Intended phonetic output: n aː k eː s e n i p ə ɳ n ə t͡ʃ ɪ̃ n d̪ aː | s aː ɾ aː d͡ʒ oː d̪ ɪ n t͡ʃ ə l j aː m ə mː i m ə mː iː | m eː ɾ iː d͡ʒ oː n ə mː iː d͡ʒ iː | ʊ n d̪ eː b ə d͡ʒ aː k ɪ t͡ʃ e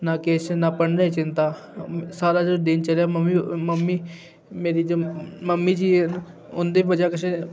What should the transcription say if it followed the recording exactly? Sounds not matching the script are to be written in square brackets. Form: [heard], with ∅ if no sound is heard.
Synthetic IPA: n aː k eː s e n [a] p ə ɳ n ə t͡ʃ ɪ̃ n [t̪] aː | s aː ɾ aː d͡ʒ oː d̪ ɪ n t͡ʃ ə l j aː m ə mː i m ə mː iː | m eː ɾ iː d͡ʒ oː [m] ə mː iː d͡ʒ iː | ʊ n d̪ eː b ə d͡ʒ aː k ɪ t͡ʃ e